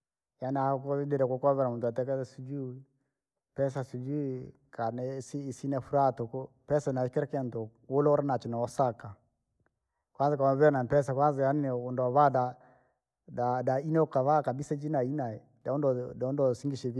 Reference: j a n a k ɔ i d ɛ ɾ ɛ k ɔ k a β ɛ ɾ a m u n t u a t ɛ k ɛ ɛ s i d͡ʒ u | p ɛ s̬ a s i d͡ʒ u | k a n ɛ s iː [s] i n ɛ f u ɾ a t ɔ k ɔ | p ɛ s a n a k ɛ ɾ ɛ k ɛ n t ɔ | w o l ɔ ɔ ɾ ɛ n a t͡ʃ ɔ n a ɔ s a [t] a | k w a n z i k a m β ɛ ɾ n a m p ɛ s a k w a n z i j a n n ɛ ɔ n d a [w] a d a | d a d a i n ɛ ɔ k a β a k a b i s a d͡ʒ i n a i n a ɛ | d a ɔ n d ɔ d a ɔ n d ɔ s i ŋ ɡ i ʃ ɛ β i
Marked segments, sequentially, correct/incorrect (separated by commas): correct, incorrect, incorrect